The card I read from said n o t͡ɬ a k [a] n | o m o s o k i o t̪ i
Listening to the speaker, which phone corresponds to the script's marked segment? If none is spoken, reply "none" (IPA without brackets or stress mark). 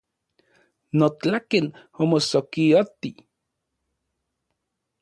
e